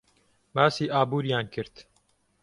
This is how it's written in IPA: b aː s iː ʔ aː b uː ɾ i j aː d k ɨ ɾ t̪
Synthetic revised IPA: b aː s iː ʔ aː b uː ɾ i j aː n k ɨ ɾ t̪

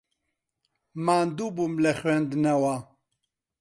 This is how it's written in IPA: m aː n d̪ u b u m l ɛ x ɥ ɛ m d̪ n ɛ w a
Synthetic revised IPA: m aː n d̪ u b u m l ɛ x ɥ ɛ n d̪ n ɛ w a

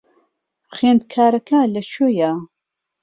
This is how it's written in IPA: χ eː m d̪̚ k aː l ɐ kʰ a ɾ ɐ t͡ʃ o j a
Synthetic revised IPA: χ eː n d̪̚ kʰ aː ɾ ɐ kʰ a l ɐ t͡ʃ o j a

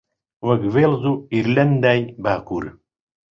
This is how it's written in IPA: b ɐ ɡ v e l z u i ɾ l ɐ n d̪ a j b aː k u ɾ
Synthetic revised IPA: w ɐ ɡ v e l z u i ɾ l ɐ n d̪ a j b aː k u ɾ

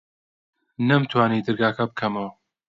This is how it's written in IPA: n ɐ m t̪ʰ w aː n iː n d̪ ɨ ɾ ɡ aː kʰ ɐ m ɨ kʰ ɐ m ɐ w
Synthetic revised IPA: n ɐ m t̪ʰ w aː n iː d̪ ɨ ɾ ɡ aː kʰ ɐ b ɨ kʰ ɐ m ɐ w

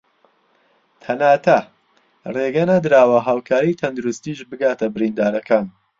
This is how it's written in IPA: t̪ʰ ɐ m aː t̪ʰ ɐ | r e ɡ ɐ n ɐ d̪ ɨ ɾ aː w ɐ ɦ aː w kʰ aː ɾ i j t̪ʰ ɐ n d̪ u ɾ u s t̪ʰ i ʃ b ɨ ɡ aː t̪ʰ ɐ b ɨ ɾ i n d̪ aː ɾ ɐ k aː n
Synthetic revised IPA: t̪ʰ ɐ n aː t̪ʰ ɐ | r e ɡ ɐ n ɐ d̪ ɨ ɾ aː w ɐ ɦ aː w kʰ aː ɾ i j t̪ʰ ɐ n d̪ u ɾ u s t̪ i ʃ b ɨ ɡ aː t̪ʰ ɐ b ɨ ɾ i n d̪ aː ɾ ɐ k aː n

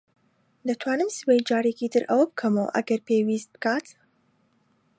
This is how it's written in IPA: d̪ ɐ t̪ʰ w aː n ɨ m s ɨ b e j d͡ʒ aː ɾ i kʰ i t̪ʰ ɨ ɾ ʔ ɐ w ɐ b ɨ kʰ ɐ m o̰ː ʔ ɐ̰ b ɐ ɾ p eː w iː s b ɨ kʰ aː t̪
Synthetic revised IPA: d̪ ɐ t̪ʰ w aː n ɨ m s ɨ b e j d͡ʒ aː ɾ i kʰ i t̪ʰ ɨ ɾ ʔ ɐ w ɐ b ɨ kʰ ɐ m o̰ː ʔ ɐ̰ ɡ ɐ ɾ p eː w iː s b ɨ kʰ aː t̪

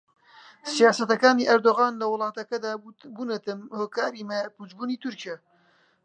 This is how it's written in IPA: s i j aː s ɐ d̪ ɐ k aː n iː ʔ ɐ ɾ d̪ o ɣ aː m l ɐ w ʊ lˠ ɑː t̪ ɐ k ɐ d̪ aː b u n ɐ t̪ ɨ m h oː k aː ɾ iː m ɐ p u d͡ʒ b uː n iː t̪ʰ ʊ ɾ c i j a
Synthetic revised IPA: s i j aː s ɐ t̪ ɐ k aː n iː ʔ ɐ ɾ d̪ o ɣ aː n l ɐ w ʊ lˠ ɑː t̪ ɐ k ɐ d̪ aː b u n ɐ t̪ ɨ m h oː k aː ɾ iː m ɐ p u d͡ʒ b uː n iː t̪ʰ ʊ ɾ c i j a

